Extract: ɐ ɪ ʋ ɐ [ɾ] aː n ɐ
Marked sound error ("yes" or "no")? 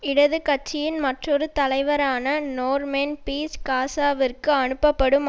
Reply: no